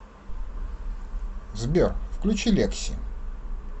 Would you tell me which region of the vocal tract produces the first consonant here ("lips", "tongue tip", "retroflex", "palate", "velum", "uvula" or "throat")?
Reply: tongue tip